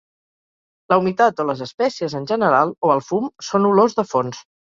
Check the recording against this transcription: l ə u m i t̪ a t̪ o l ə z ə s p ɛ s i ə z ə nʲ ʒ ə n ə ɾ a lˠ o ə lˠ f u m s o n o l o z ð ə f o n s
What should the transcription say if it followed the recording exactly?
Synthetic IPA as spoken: l ə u m i t̪ a t̪ o l ə z ə s p ɛ s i ə z ə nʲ ʒ ə n ə ɾ a lˠ o ə lˠ f u m s o n u l o z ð ə f o n s